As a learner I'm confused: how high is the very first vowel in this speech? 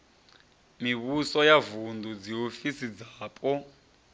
high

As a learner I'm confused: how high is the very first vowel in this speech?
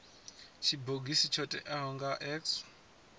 high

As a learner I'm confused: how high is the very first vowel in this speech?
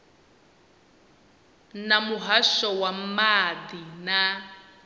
low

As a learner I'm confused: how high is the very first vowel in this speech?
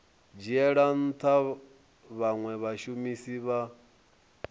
high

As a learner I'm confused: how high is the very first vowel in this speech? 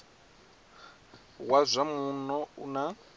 low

